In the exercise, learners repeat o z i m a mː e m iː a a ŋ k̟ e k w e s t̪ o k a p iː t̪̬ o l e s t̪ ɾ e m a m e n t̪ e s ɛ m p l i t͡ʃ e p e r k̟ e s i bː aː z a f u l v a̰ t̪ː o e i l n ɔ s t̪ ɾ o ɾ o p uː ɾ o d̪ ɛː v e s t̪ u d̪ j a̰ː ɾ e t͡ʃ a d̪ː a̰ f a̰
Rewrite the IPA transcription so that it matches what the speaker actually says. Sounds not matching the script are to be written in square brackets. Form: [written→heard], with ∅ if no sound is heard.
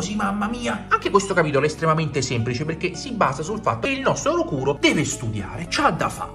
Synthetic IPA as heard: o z i m a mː [e→a] m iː a a ŋ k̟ e k w e s t̪ o k a p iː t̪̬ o l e s t̪ ɾ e m a m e n t̪ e s ɛ m p l i t͡ʃ e p e r k̟ e s i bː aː z a [f→s] u l [v→f] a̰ t̪ː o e i l n ɔ s t̪ ɾ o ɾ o [p→k] uː ɾ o d̪ ɛː v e s t̪ u d̪ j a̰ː ɾ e t͡ʃ a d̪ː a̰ f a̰